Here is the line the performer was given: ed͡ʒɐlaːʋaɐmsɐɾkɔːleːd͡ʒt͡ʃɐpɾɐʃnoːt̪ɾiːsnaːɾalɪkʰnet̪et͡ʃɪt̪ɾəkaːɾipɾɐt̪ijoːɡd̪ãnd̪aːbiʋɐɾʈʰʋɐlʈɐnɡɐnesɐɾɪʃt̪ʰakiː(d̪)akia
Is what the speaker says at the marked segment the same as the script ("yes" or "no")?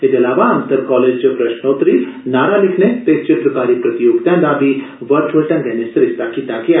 no